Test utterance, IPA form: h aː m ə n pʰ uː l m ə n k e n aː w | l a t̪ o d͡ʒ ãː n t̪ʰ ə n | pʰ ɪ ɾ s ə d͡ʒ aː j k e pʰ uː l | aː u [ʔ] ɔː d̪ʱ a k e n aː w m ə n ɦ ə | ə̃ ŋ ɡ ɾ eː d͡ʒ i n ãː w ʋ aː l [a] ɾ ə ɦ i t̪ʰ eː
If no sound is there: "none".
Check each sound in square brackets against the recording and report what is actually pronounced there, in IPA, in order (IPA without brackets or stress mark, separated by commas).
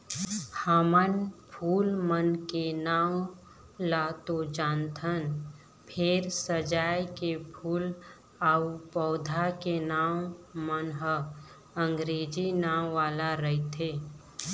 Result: p, a